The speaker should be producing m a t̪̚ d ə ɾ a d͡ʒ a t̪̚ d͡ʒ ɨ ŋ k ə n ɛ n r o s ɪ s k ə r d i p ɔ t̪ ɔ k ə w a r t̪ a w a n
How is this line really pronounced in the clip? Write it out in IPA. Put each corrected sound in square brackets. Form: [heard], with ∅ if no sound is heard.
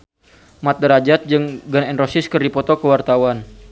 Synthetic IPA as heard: m a t̪̚ d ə ɾ a d͡ʒ a t̪̚ d͡ʒ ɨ ŋ [ɡ] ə n ɛ n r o s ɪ s k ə r d i p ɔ t̪ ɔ k ə w a r t̪ a w a n